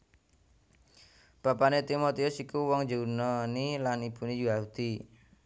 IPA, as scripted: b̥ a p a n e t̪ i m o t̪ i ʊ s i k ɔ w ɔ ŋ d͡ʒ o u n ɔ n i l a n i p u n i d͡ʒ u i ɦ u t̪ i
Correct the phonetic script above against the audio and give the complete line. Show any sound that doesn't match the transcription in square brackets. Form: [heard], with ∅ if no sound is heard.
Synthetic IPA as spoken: b̥ a p a n e t̪ i m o t̪ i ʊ s i k [u] w ɔ ŋ d͡ʒ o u n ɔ n i l a n i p u n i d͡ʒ u [a] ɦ u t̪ i